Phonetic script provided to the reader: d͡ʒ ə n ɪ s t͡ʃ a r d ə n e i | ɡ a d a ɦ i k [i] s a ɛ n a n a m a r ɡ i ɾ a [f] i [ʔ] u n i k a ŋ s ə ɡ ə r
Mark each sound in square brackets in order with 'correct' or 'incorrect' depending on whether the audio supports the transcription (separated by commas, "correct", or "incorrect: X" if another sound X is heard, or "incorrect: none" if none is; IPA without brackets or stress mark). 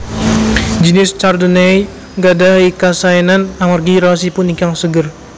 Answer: incorrect: a, incorrect: s, incorrect: p